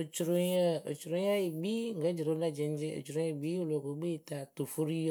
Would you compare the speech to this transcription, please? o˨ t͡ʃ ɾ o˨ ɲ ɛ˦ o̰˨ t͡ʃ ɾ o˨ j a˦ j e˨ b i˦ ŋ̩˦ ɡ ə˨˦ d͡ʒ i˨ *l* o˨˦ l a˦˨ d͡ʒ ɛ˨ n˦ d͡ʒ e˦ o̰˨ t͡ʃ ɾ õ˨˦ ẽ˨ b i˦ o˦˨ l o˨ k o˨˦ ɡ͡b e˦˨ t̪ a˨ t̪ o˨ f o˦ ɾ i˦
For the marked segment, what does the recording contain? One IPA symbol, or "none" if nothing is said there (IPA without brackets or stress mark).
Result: ɾ